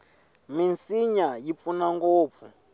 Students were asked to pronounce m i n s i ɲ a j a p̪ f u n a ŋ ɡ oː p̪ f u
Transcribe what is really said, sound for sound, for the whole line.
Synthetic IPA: m i n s i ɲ a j i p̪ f u n a ŋ ɡ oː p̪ f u